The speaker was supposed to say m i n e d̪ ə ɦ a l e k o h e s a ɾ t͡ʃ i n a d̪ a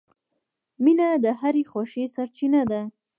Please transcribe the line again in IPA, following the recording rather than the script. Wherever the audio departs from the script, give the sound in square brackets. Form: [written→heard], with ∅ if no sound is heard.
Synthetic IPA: m i n [e→a] d̪ ə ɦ a [l→ɾ] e [k→x] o [h→ʃ] e s a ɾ t͡ʃ i n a d̪ a